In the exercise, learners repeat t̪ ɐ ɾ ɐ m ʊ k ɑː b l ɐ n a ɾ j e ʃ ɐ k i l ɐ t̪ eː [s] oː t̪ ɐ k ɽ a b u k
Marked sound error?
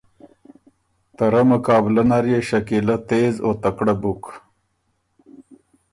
yes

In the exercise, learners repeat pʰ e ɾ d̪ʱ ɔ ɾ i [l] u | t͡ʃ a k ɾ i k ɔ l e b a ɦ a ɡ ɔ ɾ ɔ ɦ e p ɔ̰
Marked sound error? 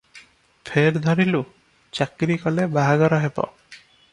no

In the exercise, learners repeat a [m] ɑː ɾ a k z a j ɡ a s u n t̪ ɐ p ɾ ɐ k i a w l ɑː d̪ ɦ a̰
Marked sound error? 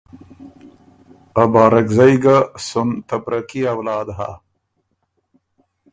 yes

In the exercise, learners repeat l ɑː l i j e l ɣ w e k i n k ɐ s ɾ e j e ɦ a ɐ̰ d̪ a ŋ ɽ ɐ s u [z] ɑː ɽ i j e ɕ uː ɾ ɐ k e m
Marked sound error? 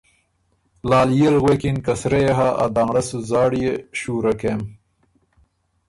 no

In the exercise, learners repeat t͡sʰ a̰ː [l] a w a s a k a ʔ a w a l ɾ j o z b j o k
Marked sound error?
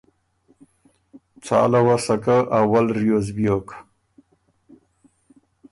no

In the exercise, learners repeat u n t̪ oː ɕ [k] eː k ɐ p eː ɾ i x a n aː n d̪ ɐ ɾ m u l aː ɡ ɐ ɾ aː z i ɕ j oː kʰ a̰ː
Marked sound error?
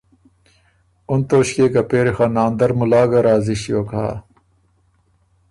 no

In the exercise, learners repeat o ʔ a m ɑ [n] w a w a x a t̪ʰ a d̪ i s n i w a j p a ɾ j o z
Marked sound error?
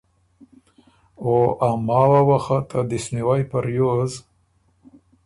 yes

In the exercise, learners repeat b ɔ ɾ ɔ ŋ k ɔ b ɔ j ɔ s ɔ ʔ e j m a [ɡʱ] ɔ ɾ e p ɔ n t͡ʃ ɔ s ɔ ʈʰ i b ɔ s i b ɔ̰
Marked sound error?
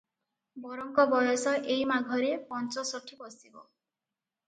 no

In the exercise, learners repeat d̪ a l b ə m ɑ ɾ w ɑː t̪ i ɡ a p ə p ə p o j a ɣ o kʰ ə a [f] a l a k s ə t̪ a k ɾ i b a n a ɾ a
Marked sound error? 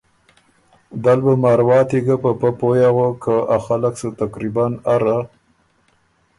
yes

